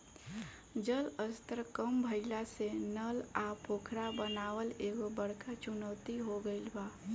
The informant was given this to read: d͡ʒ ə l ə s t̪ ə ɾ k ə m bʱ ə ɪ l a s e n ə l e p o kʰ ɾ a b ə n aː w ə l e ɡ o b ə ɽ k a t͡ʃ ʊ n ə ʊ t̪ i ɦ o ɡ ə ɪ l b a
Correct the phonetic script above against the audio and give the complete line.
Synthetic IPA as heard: d͡ʒ ə l ə s t̪ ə ɾ k ə m bʱ ə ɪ l a s e n ə l a p o kʰ ɾ a b ə n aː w ə l e ɡ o b ə ɽ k a t͡ʃ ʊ n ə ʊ t̪ i ɦ o ɡ ə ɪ l b a